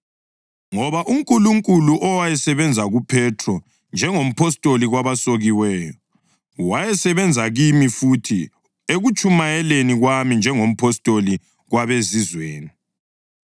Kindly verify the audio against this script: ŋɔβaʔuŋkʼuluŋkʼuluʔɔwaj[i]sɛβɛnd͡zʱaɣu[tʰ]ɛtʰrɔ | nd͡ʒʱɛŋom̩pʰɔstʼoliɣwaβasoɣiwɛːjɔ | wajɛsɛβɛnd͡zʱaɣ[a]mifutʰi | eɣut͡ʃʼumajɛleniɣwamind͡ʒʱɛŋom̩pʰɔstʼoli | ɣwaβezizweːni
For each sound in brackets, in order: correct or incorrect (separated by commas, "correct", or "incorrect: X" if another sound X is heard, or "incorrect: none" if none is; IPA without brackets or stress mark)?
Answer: incorrect: ɛ, incorrect: pʰ, incorrect: i